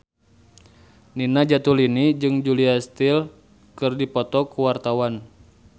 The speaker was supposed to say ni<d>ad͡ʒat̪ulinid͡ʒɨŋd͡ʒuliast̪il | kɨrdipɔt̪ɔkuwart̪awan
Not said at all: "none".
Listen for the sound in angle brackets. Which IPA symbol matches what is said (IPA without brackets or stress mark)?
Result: n